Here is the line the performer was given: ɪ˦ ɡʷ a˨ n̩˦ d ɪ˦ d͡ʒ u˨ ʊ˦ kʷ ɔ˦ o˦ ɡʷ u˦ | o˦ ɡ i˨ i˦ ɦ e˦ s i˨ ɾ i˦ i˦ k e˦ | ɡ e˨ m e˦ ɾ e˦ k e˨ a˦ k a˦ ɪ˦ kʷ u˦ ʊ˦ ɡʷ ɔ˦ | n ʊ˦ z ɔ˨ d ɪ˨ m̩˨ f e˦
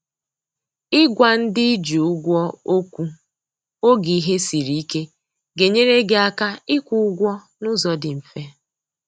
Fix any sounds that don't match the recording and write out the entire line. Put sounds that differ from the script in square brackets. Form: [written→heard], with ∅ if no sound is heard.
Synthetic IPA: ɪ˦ ɡʷ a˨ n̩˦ d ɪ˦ d͡ʒ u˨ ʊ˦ [kʷ→ɡʷ] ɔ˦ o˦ [ɡʷ→kʷ] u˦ | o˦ ɡ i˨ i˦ ɦ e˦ s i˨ ɾ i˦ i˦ k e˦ | ɡ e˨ [m→ɲ] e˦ ɾ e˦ [k→ɡ] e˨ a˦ k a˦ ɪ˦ kʷ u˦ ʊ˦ ɡʷ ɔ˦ | n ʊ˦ z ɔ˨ d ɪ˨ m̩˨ f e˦